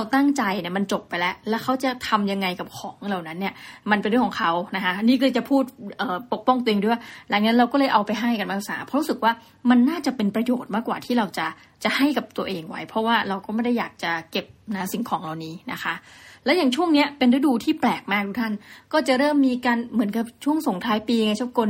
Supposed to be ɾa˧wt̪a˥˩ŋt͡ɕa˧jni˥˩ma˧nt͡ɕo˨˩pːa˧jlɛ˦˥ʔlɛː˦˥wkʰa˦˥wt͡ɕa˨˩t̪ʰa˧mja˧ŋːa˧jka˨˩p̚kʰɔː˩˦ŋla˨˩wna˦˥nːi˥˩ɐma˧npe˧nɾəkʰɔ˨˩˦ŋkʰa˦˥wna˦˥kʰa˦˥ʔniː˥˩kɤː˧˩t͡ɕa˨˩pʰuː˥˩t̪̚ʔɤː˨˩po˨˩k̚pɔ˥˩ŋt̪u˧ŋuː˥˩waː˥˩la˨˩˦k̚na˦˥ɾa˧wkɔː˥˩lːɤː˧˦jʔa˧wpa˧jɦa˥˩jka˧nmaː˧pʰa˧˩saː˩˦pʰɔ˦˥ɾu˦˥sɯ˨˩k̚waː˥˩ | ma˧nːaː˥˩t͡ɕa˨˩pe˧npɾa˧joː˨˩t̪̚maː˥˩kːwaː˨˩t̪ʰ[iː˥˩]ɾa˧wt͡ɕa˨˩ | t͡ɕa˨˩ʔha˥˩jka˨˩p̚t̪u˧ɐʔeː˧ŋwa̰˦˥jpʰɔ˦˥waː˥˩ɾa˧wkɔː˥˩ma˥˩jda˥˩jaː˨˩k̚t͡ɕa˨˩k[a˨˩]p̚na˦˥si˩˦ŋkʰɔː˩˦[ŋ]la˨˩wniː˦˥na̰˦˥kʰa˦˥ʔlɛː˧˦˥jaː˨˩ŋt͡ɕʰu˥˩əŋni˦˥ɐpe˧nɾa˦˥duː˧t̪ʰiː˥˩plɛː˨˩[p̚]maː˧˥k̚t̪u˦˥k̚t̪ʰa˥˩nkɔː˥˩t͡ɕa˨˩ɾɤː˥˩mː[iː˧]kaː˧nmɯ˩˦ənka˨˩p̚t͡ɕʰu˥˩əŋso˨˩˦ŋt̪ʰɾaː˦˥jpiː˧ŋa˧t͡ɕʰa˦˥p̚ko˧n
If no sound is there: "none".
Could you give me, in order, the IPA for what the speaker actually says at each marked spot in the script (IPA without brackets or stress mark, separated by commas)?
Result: iː˥˩, e˨˩, ŋ, k̚, iː˧